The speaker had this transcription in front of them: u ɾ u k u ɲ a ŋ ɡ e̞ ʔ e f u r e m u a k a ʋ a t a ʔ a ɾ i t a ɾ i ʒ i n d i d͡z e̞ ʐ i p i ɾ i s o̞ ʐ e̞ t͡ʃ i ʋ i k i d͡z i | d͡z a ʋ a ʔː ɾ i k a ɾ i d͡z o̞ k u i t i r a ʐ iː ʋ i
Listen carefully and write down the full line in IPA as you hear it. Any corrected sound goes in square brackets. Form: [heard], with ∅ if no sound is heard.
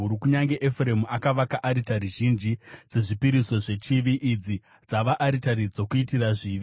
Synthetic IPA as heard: u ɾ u k u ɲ a ŋ ɡ e̞ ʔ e f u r e m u a k a ʋ a [k] a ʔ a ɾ i t a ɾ i ʒ i n [d͡ʒ] i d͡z e̞ ʐ i p i ɾ i s o̞ ʐ e̞ t͡ʃ i ʋ i [ʔ] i d͡z i | d͡z a ʋ a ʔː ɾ i [t] a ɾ i d͡z o̞ k u i t i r a ʐ iː ʋ i

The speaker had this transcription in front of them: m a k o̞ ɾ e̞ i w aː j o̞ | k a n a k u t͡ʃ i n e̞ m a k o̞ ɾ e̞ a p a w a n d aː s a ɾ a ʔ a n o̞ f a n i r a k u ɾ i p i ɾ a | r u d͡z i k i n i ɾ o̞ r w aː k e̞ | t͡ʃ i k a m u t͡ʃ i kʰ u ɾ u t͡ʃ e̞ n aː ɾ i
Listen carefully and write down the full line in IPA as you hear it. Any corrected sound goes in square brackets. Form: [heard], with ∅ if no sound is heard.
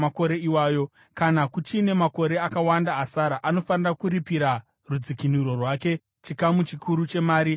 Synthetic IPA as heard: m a k o̞ ɾ e̞ i w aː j o̞ | k a n a k u t͡ʃ i n e̞ m a k o̞ ɾ e̞ a [k] a w a n d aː s a ɾ a ʔ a n o̞ f a n i r a k u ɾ i p i ɾ a | r u d͡z i k i n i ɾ o̞ r w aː k e̞ | t͡ʃ i k a m u t͡ʃ i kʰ u ɾ u t͡ʃ e̞ [m] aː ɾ i

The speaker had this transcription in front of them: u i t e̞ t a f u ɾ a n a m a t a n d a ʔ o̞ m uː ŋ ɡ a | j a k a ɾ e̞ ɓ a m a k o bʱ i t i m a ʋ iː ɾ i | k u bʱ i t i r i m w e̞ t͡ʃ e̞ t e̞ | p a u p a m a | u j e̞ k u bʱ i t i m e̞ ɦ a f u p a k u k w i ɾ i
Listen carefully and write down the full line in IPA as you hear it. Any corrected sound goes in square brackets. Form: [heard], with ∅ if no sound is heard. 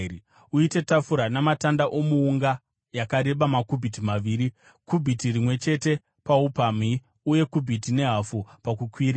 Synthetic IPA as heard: u i t e̞ t a f u ɾ a n a m a t a n d a ʔ o̞ m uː ŋ ɡ a | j a k a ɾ e̞ ɓ a m a k [u] bʱ i t i m a ʋ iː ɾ i | k u bʱ i t i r i m w e̞ t͡ʃ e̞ t e̞ | p a u p a m [i] | u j e̞ k u bʱ i t i [n] e̞ ɦ a f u p a k u k w i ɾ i

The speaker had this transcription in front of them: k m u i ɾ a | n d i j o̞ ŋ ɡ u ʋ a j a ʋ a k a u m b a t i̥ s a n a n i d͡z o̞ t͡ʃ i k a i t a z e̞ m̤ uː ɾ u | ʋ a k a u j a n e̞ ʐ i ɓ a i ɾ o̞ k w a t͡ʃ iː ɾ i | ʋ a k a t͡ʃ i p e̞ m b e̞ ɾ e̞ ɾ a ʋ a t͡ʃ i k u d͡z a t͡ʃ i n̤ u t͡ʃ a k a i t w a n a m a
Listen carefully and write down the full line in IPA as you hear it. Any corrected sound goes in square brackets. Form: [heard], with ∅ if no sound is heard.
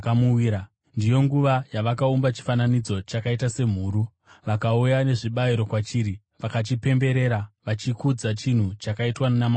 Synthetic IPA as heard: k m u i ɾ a | n d i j o̞ ŋ ɡ u ʋ a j a ʋ a k a u m b a [t͡ʃ] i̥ [f] a n a n i d͡z o̞ t͡ʃ [a] k a i t a [s] e̞ m̤ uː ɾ u | ʋ a k a u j a n e̞ ʐ i ɓ a i ɾ o̞ k w a t͡ʃ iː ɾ i | ʋ a k a t͡ʃ i p e̞ m b e̞ ɾ e̞ ɾ a ʋ a t͡ʃ i k u d͡z a t͡ʃ i n̤ u t͡ʃ a k a i t w a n a m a

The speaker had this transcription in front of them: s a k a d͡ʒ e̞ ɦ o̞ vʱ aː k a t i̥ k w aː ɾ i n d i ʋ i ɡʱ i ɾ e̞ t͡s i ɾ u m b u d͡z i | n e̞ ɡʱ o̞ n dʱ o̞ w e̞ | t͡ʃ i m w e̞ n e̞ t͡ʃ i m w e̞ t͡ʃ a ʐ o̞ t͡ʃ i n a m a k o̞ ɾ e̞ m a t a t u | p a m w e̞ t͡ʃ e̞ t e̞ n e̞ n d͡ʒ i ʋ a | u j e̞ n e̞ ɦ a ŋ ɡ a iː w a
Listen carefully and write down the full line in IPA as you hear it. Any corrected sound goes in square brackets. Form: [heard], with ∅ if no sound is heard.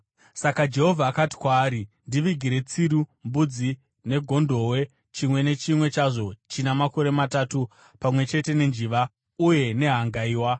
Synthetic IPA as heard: s a k a d͡ʒ e̞ ɦ o̞ vʱ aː k a t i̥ k w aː ɾ i n d i ʋ i ɡʱ i ɾ e̞ t͡s i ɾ u m b u d͡z i | n e̞ ɡʱ o̞ n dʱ o̞ w e̞ | t͡ʃ i m w e̞ n e̞ t͡ʃ i m w e̞ t͡ʃ a ʐ o̞ t͡ʃ i n a m a k o̞ ɾ e̞ m a t a t u | p a m w e̞ t͡ʃ e̞ t e̞ n e̞ n d͡ʒ i ʋ a | u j e̞ n e̞ ɦ a ŋ ɡ a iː w a

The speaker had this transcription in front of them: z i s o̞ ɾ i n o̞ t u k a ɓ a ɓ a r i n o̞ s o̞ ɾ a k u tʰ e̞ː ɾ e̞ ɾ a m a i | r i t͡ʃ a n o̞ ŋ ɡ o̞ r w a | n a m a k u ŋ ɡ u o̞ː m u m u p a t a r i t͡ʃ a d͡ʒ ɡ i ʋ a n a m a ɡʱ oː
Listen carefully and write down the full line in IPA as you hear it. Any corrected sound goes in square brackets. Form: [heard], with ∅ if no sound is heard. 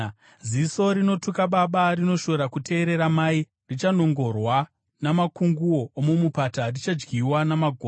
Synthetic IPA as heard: z i s o̞ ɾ i n o̞ t u k a ɓ a ɓ a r i n o̞ [ʃ] o̞ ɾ a k u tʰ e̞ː ɾ e̞ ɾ a m a i | r i t͡ʃ a n o̞ ŋ ɡ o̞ r w a | n a m a k u ŋ ɡ u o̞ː m u m u p a t a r i t͡ʃ a d͡ʒ ɡ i [w] a n a m a ɡʱ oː

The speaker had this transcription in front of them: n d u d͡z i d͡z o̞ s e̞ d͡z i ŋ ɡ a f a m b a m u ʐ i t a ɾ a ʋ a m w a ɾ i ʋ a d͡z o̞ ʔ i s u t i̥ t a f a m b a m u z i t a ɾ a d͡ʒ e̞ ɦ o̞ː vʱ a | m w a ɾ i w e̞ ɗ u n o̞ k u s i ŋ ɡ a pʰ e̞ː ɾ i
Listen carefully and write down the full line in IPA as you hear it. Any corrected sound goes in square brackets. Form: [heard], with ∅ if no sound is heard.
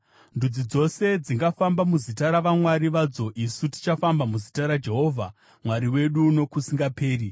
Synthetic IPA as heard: n d u d͡z i d͡z o̞ s e̞ d͡z i ŋ ɡ a f a m b a m u [z] i t a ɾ a ʋ a m w a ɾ i ʋ a d͡z o̞ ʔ i s u t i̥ [t͡ʃ] a f a m b a m u z i t a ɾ a d͡ʒ e̞ ɦ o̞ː vʱ a | m w a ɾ i w e̞ ɗ u n o̞ k u s i ŋ ɡ a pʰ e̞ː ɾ i

